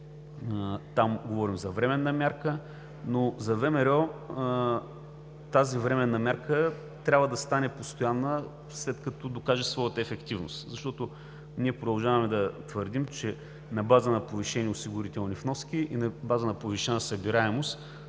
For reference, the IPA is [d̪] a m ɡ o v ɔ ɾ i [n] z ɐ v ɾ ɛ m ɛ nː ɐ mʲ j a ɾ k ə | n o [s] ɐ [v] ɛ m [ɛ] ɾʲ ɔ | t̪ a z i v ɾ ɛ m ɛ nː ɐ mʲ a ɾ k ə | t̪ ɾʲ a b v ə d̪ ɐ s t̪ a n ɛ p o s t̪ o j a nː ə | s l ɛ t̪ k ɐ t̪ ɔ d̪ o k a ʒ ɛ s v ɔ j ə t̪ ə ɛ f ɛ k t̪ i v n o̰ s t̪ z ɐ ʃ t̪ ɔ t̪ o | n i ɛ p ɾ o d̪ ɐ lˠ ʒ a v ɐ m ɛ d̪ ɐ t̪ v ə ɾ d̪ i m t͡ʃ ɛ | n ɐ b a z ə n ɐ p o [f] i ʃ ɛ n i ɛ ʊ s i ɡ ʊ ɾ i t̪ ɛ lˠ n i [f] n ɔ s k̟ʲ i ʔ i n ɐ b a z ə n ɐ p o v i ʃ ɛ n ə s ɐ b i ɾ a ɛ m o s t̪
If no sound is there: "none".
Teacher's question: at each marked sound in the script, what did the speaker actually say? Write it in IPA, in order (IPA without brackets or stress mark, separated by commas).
t̪, m, z, v, ɛ, v, f